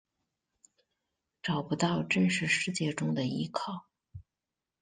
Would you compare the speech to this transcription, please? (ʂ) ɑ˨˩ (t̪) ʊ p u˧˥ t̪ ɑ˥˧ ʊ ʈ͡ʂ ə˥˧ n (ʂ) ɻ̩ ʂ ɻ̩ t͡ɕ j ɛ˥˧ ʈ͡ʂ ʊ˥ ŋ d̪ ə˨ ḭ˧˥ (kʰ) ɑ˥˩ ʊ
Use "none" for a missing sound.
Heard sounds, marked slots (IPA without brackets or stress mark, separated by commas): ʈ͡ʂ, none, ʂ, kʰ